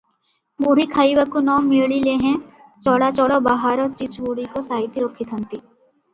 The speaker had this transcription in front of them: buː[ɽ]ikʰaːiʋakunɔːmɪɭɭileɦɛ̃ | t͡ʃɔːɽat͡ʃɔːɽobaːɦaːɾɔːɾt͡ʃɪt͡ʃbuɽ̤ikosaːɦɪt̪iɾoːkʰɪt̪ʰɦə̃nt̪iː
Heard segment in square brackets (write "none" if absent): ɽ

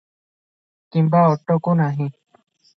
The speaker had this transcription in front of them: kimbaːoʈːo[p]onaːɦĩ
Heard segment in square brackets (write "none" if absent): k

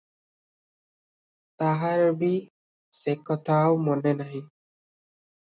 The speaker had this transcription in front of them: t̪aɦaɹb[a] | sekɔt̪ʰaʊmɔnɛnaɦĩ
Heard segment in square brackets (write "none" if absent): i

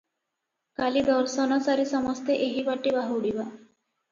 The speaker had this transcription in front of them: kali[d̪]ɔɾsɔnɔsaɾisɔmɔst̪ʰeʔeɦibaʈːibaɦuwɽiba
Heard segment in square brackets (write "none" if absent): d̪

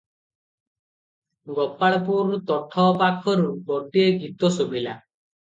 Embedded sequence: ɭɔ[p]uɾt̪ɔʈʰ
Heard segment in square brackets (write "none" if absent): p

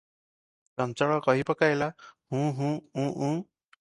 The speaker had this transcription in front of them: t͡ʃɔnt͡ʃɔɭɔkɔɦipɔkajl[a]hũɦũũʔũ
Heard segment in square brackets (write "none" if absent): a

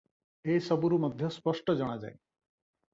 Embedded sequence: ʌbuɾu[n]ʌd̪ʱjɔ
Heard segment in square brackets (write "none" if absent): m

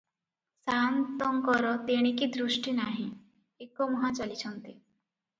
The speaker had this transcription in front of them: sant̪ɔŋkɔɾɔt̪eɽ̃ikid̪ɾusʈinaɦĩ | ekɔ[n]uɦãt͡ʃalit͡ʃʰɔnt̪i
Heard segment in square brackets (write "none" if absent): m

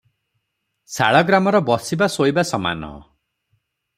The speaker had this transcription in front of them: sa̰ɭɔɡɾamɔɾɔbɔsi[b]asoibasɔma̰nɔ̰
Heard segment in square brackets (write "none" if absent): b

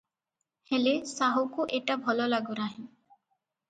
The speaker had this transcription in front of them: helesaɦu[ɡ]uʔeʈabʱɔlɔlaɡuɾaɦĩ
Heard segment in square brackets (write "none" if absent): k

